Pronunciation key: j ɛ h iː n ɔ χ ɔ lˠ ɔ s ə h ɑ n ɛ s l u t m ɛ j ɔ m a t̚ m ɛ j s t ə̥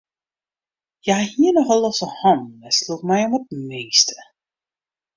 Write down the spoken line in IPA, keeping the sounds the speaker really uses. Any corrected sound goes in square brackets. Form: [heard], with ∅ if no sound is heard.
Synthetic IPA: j [a] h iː n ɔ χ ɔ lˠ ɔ s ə h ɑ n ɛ s l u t m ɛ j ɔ m [ə] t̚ m [e] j s t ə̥